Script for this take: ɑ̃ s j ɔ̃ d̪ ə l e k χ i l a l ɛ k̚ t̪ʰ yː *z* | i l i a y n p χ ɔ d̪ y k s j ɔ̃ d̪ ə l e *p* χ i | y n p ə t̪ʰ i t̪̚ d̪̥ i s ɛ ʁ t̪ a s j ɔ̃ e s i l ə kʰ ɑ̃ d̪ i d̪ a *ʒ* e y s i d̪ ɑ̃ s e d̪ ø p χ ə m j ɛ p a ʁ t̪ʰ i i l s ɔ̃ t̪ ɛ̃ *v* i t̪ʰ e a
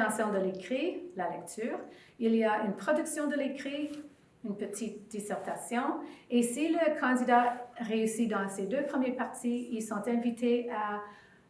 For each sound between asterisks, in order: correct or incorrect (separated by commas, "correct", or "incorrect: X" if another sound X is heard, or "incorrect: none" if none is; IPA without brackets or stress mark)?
incorrect: ʁ, incorrect: k, incorrect: ʁ, correct